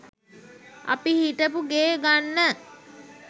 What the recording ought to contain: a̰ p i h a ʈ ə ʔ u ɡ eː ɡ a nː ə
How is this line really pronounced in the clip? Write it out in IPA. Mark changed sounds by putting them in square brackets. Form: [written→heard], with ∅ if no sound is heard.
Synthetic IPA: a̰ p i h [a→i] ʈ ə [ʔ→p] u ɡ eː ɡ a nː ə